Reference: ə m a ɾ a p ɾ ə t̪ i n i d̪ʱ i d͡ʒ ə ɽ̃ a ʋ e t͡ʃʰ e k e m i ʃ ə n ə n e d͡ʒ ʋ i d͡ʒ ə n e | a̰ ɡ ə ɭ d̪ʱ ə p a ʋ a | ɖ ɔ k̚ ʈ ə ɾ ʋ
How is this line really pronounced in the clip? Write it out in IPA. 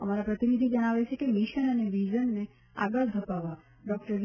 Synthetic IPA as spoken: ə m a ɾ a p ɾ ə t̪ i n i d̪ʱ i d͡ʒ ə ɽ̃ a ʋ e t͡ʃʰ e k e m i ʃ ə n ə n e ʋ i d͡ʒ ə nː e | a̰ ɡ ə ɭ d̪ʱ ə p a ʋ a | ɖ ɔ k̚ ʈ ə ɾ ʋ